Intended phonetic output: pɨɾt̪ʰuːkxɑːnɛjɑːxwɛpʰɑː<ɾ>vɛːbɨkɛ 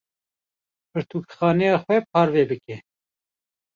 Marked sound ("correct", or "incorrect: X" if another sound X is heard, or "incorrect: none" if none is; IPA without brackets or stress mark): correct